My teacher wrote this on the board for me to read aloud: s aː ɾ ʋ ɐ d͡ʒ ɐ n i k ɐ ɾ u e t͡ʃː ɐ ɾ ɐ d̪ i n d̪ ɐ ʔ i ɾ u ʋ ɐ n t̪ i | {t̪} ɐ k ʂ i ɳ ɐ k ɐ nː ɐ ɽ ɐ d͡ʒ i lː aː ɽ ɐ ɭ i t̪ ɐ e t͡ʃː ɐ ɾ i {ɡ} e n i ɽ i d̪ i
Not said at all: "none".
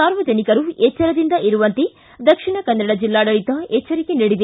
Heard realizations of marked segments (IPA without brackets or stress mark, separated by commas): d̪, k